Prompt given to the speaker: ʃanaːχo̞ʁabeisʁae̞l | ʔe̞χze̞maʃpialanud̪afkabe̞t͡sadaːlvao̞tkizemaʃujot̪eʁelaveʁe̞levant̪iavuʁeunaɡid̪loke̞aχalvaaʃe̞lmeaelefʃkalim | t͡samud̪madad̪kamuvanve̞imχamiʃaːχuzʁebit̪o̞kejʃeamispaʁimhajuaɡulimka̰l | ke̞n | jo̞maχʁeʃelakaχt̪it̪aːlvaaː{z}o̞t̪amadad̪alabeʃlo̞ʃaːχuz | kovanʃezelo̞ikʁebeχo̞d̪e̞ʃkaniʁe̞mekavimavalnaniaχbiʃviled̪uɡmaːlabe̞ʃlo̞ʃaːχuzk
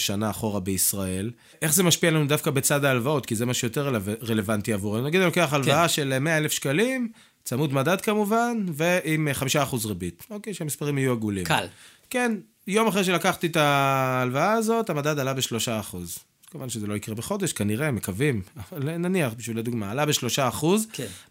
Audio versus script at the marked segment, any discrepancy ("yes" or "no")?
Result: no